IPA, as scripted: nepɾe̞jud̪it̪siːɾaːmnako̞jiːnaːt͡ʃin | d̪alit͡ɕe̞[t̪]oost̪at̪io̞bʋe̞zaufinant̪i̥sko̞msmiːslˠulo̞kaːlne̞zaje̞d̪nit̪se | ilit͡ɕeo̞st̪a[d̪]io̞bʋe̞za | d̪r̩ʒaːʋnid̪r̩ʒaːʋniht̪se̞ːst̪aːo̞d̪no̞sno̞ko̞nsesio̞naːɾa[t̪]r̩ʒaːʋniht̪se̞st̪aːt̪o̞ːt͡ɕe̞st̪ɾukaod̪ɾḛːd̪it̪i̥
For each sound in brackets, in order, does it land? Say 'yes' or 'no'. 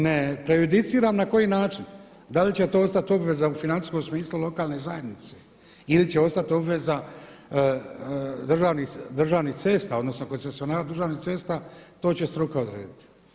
yes, no, no

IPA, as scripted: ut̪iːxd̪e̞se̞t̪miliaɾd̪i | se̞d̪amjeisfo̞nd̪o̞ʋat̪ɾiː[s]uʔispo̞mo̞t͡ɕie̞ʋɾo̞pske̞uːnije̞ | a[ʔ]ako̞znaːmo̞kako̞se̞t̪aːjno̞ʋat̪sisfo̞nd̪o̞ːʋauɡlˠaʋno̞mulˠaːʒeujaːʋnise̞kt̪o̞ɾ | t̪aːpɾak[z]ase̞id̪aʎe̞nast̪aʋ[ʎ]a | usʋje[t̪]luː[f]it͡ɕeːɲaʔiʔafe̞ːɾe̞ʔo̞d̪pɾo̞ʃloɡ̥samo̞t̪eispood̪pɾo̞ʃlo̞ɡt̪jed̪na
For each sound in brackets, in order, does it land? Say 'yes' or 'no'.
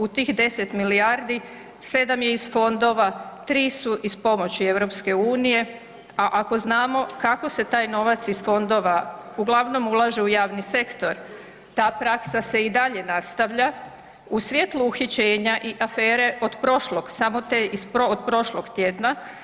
yes, yes, no, yes, yes, no

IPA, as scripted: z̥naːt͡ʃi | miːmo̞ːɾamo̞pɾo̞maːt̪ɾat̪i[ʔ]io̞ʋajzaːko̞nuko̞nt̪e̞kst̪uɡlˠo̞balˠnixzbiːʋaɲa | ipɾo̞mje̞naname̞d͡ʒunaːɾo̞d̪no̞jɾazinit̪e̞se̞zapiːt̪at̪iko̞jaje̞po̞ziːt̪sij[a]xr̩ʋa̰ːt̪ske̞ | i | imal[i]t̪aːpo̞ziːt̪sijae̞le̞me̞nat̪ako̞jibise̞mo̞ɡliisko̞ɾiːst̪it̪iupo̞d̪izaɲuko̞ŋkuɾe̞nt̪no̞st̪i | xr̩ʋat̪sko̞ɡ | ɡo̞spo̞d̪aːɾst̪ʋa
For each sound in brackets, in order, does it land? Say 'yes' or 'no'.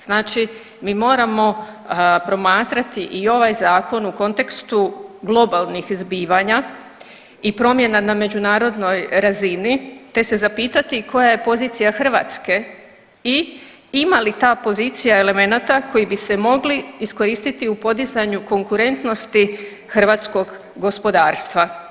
yes, yes, yes

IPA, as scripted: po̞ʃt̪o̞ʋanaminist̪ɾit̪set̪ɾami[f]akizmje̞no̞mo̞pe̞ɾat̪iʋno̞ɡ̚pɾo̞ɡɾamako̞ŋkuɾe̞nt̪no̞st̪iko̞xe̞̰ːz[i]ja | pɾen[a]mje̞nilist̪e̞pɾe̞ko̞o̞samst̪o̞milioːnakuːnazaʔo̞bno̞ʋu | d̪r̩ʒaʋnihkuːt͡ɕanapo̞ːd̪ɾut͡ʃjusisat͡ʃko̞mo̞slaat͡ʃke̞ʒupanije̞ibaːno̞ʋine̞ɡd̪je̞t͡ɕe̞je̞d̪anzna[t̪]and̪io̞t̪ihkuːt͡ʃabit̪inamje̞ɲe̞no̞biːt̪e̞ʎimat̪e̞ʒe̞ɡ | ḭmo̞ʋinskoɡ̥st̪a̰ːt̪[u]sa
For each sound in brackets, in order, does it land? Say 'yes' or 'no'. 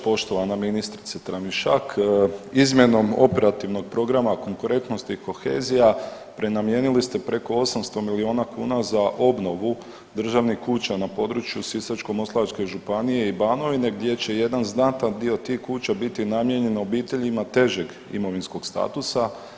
no, yes, yes, yes, yes

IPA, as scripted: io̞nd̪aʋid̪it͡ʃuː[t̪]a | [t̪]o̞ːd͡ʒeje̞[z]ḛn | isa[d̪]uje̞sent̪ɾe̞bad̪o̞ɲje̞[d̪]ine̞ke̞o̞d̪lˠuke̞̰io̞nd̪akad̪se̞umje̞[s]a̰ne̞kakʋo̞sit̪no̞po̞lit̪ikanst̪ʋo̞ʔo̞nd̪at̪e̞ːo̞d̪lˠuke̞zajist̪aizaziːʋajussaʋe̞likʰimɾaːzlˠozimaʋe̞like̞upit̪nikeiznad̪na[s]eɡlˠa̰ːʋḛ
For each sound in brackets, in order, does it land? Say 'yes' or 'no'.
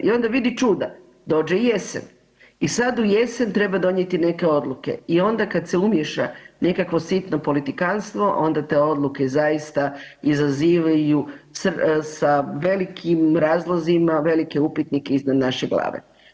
no, no, no, yes, no, no, no

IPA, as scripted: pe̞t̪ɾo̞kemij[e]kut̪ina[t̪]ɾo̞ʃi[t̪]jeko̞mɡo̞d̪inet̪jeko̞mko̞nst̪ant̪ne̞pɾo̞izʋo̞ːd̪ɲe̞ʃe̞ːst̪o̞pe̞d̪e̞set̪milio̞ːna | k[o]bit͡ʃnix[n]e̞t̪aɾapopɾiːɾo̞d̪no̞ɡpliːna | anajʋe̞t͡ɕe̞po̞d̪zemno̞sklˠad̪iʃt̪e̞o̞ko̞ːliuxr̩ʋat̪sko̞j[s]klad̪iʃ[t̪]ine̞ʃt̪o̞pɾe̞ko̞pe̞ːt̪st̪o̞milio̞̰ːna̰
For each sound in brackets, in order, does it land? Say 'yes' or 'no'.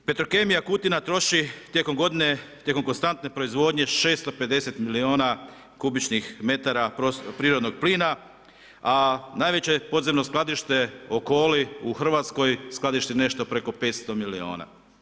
no, yes, yes, no, no, yes, yes

